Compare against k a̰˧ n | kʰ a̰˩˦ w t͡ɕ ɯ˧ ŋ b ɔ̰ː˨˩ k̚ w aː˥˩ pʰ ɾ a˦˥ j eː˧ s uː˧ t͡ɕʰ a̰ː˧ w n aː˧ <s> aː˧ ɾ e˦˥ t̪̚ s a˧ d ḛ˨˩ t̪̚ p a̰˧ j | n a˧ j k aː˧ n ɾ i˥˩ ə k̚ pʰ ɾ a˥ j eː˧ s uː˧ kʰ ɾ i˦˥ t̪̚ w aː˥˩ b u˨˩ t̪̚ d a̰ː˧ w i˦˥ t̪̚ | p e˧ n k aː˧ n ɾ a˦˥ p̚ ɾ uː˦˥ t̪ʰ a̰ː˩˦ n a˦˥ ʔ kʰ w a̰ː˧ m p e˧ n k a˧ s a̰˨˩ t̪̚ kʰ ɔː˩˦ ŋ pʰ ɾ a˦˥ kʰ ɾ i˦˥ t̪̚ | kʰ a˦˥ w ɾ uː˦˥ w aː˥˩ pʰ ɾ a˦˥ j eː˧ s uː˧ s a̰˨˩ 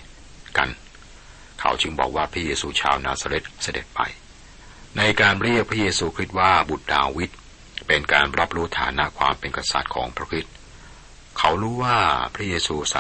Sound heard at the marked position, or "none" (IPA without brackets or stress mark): s